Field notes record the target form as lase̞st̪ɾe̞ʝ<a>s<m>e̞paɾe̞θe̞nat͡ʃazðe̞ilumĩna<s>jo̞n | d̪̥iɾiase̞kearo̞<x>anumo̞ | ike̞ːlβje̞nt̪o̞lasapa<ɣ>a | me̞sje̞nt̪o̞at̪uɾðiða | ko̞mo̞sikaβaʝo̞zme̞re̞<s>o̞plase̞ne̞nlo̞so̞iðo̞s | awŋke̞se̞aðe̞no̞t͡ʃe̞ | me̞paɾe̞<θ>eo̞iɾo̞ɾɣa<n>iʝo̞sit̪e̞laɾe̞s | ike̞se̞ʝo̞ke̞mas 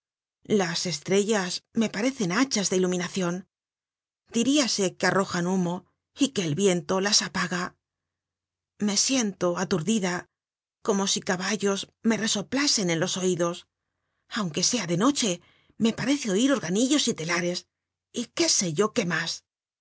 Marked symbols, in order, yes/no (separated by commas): yes, yes, no, yes, yes, yes, yes, yes